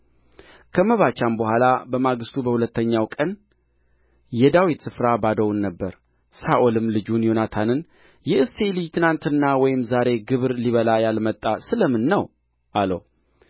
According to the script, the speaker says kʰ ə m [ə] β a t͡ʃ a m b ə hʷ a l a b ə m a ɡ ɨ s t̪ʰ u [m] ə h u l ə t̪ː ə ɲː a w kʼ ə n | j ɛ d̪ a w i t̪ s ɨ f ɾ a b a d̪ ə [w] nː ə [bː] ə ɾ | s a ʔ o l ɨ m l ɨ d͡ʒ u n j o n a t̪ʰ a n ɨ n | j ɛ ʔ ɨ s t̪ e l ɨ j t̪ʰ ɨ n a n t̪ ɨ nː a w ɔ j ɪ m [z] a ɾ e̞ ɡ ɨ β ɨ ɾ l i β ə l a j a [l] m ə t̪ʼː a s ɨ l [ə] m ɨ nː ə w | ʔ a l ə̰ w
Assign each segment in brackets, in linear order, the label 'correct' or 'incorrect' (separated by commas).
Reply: correct, incorrect, correct, correct, correct, correct, correct